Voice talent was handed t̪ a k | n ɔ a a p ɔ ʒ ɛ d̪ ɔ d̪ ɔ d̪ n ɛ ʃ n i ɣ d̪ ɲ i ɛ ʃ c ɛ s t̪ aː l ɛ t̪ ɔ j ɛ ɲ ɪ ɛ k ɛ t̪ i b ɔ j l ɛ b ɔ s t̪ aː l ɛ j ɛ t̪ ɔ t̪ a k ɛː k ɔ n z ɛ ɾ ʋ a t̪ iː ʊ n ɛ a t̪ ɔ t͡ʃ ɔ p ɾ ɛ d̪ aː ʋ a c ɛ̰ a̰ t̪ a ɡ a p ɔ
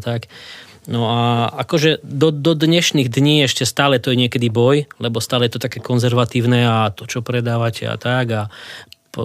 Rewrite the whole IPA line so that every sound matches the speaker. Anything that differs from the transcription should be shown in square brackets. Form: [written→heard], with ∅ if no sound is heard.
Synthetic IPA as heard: t̪ a k | n ɔ a a [p→k] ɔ ʒ ɛ d̪ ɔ d̪ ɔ d̪ [n→ɲ] ɛ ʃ n i ɣ d̪ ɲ [i→iː] ɛ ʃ c ɛ s t̪ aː l ɛ t̪ ɔ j ɛ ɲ ɪ ɛ k ɛ [t̪→d̪] i b ɔ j l ɛ b ɔ s t̪ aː l ɛ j ɛ t̪ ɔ t̪ a k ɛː k ɔ n z ɛ ɾ ʋ a t̪ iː ʊ n ɛ a t̪ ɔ t͡ʃ ɔ p ɾ ɛ d̪ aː ʋ a c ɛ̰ a̰ t̪ a ɡ a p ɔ